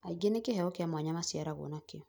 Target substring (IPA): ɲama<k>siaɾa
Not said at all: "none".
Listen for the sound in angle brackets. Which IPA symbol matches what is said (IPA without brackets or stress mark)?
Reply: none